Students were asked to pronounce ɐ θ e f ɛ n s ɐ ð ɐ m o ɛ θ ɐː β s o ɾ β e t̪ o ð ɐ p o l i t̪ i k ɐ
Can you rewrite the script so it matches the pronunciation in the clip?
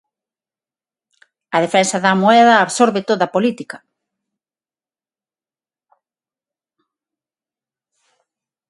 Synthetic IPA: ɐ ð e f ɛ n s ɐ ð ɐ m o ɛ ð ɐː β s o ɾ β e t̪ o ð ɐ p o l i t̪ i k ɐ

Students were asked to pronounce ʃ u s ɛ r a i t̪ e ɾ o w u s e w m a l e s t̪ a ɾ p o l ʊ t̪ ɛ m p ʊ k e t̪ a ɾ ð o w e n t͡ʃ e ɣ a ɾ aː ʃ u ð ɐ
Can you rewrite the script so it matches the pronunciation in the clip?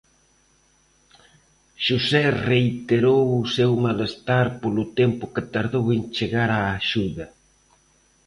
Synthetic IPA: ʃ u s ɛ r e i t̪ e ɾ o w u s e w m a l e s t̪ a ɾ p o l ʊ t̪ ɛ m p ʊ k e t̪ a ɾ ð o w e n t͡ʃ e ɣ a ɾ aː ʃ u ð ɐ

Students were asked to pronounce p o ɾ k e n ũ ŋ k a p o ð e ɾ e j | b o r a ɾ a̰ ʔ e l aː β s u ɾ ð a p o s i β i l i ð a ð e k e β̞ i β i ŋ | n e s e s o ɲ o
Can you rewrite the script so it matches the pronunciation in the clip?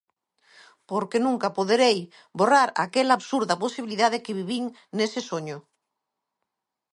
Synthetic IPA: p o ɾ k e n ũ ŋ k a p o ð e ɾ e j | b o r a ɾ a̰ k e l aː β s u ɾ ð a p o s i β i l i ð a ð e k e β̞ i β i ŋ | n e s e s o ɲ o

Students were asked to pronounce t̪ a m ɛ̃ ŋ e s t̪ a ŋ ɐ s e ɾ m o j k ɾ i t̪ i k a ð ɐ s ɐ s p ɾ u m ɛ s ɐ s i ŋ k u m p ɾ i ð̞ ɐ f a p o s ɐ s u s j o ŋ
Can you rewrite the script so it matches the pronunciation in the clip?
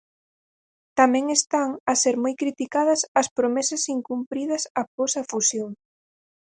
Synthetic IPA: t̪ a m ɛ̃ ŋ e s t̪ a ŋ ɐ s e ɾ m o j k ɾ i t̪ i k a ð ɐ s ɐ s p ɾ o m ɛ s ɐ s i ŋ k u m p ɾ i ð̞ ɐ s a p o s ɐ f u s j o ŋ

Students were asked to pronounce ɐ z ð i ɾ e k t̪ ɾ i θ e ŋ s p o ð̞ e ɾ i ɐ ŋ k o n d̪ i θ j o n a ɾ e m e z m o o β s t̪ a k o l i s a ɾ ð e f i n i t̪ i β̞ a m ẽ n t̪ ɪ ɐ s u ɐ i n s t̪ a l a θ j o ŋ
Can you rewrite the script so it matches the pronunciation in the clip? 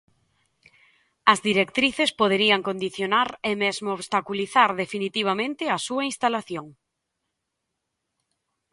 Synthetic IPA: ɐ z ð i ɾ e k t̪ ɾ i θ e s p o ð̞ e ɾ i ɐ ŋ k o n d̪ i θ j o n a ɾ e m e z m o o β s t̪ a k u l i θ a ɾ ð e f i n i t̪ i β̞ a m ẽ n t̪ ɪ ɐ s u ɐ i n s t̪ a l a θ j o ŋ

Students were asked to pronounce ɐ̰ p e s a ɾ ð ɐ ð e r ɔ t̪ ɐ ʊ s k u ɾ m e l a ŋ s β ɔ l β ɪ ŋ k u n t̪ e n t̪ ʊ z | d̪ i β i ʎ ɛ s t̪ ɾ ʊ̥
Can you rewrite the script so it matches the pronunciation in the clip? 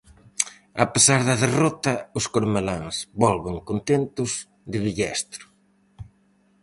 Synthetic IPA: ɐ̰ p e s a ɾ ð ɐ ð e r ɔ t̪ ɐ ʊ s k o ɾ m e l a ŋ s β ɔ l β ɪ ŋ k o n t̪ e n t̪ ʊ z | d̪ ɪ β i ʎ ɛ s t̪ ɾ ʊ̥

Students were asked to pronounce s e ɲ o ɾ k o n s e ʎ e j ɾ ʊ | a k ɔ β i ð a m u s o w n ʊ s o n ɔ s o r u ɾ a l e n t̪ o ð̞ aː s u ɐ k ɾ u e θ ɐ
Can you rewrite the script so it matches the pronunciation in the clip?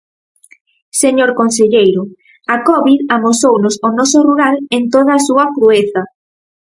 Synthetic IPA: s e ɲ o ɾ k o n s e ʎ e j ɾ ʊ | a k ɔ β i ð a m o s o w n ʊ s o n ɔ s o r u ɾ a l e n t̪ o ð̞ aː s u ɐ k ɾ u e θ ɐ

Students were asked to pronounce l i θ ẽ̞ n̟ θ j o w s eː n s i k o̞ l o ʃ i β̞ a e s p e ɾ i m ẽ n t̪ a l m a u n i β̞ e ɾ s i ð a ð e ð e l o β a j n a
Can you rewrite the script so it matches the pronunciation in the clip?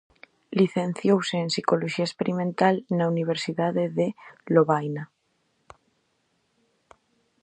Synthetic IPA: l i θ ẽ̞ n̟ θ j o w s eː n s i k o̞ l o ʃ i a e s p e ɾ i m ẽ n t̪ a l n a u n i β̞ e ɾ s i ð a ð e ð e l o β a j n a

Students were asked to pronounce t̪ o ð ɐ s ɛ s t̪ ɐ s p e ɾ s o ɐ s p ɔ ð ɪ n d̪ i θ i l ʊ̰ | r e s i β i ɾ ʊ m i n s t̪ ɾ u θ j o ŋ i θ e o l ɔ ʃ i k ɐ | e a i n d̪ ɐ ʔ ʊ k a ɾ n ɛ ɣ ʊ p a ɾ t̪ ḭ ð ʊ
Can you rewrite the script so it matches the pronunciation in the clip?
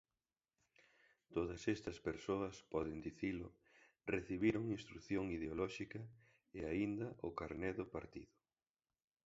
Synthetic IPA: t̪ o ð ɐ s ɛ s t̪ ɐ s p e ɾ s o ɐ s p ɔ ð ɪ n d̪ i θ i l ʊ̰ | r e θ i β i ɾ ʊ ŋ i n s t̪ ɾ u θ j o ŋ i ð e o l ɔ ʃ i k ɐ | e a i n d̪ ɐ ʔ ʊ k a ɾ n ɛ ð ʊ p a ɾ t̪ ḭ ð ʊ

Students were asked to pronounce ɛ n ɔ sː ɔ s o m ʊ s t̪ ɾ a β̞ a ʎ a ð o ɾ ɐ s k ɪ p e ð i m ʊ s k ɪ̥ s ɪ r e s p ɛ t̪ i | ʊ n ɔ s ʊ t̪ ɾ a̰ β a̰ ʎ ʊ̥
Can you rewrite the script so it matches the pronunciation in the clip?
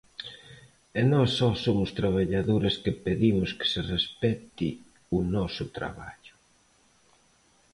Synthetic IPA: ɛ n ɔ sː ɔ s o m ʊ s t̪ ɾ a β̞ a ʎ a ð o ɾ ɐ s k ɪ p e ð i m ʊ s k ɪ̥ s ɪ r e s p ɛ t̪ i | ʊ n ɔ s ʊ t̪ ɾ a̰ β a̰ ʎ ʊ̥

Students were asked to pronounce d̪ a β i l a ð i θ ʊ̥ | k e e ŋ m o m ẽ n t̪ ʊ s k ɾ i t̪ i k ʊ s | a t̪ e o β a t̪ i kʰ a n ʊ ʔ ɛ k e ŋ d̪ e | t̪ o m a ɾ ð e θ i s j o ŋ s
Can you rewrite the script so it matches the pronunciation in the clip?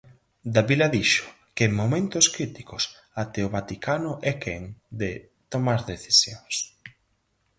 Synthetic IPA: d̪ a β i l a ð i ʃ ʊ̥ | k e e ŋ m o m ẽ n t̪ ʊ s k ɾ i t̪ i k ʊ s | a t̪ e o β a t̪ i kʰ a n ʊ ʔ ɛ k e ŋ d̪ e | t̪ o m a ɾ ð e θ i s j o ŋ s

